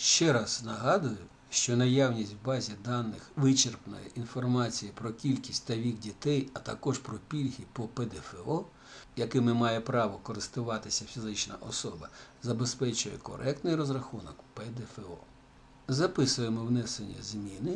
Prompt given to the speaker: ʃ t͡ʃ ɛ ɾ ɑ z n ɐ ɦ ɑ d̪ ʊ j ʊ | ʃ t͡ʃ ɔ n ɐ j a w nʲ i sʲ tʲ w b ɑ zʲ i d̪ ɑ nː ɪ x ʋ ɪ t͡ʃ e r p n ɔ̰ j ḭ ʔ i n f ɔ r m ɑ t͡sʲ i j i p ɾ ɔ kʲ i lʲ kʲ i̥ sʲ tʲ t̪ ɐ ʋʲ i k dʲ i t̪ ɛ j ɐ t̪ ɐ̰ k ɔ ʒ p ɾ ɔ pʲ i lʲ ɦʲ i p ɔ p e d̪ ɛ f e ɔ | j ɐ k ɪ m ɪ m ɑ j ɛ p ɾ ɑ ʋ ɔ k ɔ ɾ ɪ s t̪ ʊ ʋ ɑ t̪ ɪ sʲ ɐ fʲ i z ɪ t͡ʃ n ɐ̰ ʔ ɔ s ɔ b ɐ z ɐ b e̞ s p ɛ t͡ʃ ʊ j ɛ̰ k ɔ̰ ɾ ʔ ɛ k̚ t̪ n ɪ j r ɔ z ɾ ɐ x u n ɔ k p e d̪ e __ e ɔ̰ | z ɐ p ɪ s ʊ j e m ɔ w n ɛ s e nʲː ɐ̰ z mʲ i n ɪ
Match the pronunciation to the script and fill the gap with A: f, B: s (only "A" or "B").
A